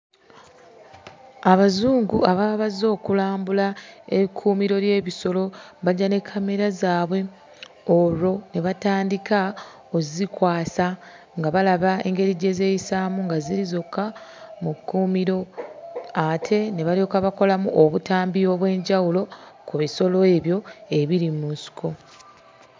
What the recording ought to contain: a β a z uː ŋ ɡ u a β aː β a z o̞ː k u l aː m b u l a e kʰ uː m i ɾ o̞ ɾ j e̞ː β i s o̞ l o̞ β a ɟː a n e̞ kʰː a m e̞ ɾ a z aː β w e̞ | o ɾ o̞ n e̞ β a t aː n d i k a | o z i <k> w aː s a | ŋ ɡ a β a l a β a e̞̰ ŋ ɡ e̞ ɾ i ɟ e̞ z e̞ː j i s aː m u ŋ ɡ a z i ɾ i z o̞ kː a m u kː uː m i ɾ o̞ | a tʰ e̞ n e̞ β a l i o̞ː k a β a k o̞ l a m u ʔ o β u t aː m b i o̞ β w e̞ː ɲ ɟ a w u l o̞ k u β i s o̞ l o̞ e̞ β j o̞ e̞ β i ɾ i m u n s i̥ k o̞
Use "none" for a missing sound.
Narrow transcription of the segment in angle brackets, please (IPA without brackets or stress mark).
k